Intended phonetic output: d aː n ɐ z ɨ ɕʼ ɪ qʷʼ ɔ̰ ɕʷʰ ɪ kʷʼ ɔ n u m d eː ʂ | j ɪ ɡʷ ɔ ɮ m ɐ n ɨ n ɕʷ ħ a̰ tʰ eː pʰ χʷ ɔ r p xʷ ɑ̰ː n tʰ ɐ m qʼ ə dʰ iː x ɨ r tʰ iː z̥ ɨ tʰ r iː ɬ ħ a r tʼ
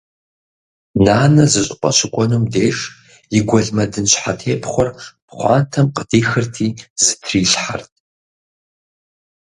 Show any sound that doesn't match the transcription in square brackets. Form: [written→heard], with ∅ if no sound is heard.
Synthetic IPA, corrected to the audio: [d→n] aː n ɐ z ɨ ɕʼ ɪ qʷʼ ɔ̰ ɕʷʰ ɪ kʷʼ ɔ n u m d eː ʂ | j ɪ ɡʷ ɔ ɮ m ɐ [n→d] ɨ n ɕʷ ħ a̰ tʰ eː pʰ χʷ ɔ r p [xʷ→χʷ] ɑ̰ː n tʰ ɐ m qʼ ə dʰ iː x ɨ r tʰ iː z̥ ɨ tʰ r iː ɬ ħ a r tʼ